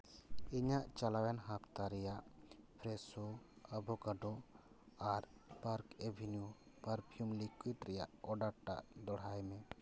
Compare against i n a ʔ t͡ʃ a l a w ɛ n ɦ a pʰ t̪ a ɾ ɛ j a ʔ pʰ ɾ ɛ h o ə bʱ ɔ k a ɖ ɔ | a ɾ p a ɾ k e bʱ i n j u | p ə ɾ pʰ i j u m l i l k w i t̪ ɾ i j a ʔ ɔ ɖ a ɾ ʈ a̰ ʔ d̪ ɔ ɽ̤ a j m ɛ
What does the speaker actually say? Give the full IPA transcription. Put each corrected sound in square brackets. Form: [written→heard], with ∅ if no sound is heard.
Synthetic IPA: i [n→ɲ] a ʔ t͡ʃ a l a w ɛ n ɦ a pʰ t̪ a ɾ ɛ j a ʔ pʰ ɾ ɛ [h→s] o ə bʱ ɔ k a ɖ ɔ | a ɾ p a ɾ k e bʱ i n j u | p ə ɾ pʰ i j u m l i [l→∅] k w i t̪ ɾ [i→ɛ] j a ʔ ɔ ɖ a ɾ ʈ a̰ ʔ d̪ ɔ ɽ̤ a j m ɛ